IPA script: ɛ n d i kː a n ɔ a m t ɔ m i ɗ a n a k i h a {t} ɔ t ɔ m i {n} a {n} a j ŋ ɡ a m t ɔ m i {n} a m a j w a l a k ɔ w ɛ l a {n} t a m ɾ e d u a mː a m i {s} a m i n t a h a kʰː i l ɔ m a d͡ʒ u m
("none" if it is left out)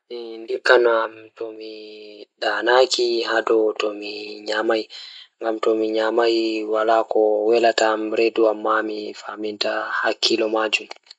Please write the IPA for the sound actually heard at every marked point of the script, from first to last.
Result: d, ɲ, m, ɲ, none, f

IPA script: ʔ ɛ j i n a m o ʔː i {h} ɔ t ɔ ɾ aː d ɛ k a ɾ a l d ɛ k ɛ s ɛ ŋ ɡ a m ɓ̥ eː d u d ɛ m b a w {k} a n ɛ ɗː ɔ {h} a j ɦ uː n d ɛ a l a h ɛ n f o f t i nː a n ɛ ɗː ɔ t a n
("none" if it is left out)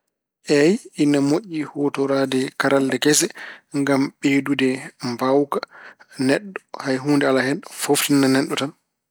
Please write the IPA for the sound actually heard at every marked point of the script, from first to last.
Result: h, k, h

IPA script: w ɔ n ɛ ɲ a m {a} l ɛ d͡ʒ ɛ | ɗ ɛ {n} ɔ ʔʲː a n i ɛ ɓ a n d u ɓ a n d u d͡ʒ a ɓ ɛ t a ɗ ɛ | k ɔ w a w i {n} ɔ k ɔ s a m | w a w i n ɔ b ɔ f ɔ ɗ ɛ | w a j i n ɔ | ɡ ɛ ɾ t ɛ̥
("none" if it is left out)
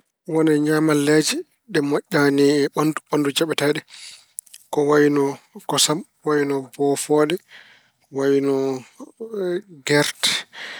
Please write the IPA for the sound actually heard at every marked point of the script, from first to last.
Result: a, m, n

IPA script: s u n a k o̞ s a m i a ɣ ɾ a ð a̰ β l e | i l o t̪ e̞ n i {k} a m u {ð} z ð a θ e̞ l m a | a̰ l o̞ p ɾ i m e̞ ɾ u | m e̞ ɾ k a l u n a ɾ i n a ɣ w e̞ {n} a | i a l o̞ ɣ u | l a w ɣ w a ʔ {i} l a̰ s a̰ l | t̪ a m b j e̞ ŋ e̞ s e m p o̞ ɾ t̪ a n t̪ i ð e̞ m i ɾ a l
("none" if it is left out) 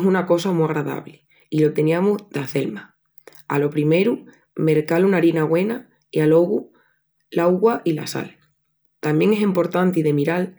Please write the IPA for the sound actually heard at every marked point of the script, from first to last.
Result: none, none, n, i

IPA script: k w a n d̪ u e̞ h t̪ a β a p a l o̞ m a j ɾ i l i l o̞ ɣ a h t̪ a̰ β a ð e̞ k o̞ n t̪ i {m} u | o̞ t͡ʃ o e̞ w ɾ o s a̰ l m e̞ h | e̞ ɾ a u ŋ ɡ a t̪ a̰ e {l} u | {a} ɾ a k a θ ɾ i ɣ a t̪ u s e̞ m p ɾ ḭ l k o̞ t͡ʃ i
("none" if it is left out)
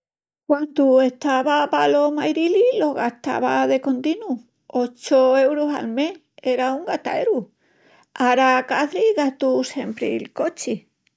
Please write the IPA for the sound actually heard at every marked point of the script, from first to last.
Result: n, ɾ, a

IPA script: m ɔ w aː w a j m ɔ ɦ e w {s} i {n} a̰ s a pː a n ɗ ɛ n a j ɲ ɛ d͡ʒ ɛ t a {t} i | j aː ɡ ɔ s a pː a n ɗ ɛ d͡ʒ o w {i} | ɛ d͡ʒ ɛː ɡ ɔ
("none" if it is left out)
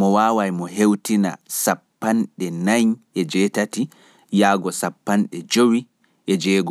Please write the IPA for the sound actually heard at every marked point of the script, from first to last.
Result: t, n, t, i

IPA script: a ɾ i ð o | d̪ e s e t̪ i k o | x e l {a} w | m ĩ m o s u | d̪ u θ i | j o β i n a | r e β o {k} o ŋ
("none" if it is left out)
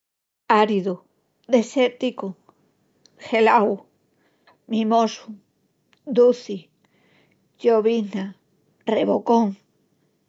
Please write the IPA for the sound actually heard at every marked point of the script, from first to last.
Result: a, k

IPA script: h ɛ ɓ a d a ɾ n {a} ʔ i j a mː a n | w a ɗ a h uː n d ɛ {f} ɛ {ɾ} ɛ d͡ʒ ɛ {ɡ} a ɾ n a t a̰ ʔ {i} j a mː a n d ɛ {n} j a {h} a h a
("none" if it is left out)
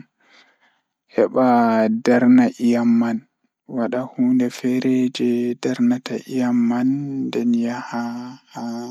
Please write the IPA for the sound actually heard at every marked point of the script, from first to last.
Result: a, f, ɾ, d, i, n, h

